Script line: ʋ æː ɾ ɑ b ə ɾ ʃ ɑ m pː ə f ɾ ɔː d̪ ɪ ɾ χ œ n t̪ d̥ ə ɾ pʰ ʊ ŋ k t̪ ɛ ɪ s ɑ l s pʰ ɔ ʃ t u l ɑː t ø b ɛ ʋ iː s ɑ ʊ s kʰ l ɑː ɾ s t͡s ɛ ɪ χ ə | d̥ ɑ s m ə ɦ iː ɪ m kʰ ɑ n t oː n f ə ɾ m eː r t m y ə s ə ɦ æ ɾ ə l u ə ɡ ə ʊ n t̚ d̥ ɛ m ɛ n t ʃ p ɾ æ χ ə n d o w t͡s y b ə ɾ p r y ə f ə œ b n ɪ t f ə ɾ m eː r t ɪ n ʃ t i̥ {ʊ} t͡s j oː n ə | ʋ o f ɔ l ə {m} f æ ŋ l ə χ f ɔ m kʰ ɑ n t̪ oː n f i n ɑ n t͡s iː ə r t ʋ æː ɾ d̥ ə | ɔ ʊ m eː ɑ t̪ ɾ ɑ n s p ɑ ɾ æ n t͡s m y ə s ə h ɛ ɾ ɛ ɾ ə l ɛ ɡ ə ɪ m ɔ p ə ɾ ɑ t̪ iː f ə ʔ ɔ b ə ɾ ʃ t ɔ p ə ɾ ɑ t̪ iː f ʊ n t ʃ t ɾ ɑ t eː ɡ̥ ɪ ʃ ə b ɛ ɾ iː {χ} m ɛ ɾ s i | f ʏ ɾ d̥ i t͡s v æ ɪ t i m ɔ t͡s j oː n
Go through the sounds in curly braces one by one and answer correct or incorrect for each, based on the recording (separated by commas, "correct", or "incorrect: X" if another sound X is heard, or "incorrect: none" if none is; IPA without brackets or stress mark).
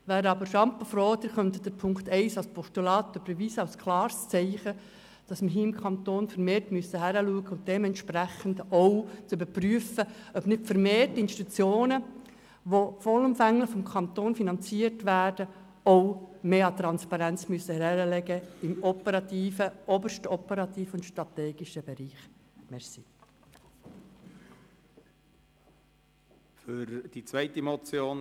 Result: incorrect: u, correct, correct